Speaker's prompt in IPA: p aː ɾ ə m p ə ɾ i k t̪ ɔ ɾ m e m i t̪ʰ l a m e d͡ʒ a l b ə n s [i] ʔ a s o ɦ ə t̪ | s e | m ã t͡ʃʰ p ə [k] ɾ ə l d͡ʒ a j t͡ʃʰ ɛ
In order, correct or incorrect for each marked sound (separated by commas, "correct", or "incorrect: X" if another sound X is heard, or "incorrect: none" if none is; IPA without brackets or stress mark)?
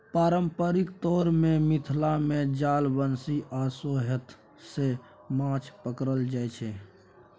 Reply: correct, correct